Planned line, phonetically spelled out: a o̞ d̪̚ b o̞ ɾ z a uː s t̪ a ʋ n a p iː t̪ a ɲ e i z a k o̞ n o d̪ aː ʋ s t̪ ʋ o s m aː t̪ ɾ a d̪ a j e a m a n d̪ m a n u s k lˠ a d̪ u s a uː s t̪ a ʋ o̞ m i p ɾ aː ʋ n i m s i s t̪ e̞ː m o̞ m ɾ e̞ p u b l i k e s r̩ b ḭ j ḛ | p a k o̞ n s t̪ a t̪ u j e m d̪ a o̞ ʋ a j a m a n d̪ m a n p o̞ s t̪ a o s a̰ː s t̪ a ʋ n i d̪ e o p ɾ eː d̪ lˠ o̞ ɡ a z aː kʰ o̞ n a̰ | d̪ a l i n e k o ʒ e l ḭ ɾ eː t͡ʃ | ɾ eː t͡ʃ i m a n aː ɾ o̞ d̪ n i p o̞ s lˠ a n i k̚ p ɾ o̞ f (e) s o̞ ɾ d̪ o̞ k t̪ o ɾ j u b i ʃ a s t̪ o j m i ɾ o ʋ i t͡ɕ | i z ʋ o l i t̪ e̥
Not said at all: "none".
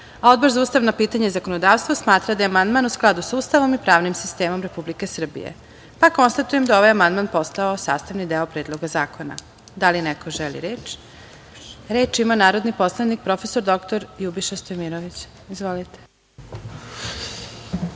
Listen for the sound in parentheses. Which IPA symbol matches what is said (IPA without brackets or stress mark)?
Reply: e